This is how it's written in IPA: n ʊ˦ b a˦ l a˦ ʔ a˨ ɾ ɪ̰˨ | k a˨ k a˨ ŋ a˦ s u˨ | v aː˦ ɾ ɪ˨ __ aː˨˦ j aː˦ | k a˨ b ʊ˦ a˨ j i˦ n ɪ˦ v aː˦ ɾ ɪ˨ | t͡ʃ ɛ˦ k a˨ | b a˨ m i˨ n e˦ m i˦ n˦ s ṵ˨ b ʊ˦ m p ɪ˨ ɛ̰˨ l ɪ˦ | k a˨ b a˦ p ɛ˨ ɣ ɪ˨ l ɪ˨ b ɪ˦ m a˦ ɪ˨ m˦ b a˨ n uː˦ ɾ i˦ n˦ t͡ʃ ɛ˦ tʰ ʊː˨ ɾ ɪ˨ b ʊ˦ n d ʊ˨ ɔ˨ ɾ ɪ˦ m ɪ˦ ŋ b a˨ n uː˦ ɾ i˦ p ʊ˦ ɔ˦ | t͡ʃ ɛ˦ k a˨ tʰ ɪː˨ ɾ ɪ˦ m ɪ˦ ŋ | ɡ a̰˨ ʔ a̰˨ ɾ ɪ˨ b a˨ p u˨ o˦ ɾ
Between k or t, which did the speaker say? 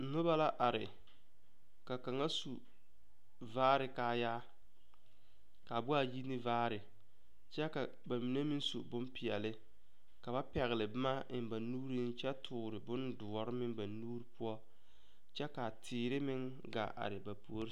k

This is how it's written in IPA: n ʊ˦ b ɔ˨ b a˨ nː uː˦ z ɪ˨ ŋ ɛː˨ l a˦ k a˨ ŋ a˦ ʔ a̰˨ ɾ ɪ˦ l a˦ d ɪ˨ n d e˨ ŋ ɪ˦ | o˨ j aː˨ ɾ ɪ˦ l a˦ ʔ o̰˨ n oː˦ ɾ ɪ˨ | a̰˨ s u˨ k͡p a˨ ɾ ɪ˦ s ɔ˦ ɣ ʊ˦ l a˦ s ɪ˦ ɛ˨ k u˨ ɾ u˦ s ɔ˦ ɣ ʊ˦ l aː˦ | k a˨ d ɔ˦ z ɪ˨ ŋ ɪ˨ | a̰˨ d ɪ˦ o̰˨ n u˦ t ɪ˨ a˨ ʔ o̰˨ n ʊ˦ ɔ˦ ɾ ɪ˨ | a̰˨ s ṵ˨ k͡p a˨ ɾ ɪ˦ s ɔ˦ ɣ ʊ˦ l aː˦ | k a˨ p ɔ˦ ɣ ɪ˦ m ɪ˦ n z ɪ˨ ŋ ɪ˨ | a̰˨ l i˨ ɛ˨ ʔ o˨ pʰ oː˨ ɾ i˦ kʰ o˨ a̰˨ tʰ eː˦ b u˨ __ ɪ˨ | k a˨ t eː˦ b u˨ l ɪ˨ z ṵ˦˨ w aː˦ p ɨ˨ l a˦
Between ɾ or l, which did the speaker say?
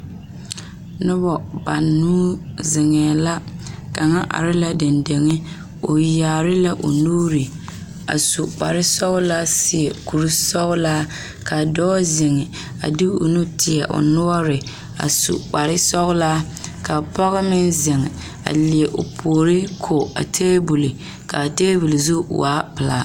l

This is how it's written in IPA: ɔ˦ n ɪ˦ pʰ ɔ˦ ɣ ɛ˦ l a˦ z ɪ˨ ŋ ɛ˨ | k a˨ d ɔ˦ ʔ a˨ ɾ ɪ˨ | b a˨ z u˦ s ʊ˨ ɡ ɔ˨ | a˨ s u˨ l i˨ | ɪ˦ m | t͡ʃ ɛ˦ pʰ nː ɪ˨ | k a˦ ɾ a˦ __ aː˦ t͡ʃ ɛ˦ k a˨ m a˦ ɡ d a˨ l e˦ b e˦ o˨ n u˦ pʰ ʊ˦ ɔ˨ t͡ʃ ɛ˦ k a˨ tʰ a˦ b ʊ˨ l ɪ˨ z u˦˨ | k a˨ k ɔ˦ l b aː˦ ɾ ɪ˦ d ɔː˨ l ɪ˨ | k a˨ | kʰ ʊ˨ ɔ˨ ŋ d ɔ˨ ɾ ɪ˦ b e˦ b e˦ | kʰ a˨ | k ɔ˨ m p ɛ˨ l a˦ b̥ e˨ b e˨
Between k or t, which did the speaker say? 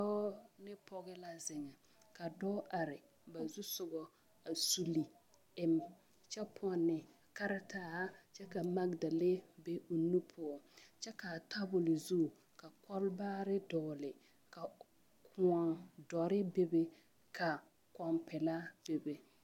t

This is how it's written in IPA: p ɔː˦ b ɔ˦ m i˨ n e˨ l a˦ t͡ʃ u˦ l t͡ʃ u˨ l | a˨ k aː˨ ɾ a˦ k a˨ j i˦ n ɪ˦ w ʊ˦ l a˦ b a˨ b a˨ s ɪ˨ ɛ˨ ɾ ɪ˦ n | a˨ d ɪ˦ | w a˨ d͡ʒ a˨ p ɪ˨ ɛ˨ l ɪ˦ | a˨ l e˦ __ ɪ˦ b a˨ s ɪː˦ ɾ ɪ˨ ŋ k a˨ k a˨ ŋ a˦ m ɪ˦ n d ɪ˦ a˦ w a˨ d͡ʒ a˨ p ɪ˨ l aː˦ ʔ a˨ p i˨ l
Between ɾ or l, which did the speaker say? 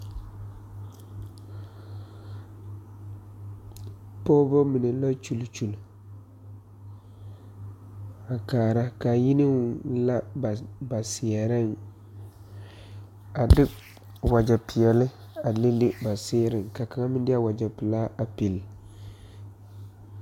l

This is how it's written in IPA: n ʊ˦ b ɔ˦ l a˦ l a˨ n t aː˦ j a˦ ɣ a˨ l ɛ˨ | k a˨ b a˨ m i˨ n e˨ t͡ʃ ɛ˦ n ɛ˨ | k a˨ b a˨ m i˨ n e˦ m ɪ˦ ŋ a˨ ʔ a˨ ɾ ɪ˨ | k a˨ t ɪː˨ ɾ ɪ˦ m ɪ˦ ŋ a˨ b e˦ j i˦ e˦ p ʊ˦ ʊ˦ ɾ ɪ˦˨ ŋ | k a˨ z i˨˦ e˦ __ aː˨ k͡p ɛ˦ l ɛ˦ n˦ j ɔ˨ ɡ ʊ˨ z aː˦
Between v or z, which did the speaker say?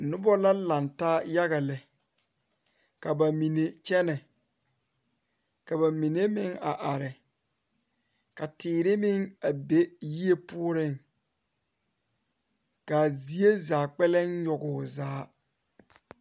z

